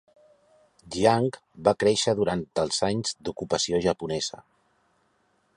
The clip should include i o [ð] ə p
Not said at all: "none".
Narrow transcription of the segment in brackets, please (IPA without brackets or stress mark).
ʒ